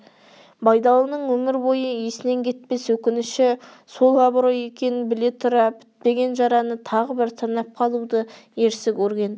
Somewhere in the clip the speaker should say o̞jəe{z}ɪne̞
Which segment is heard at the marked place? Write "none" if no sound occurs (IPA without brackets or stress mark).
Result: s